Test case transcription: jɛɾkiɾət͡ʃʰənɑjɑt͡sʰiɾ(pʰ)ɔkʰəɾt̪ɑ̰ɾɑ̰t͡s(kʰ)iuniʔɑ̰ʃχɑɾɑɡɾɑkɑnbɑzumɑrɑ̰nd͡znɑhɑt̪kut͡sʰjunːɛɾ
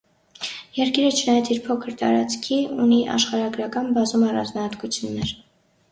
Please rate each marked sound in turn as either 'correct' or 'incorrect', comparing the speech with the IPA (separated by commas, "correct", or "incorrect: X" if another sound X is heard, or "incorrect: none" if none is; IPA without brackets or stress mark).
correct, correct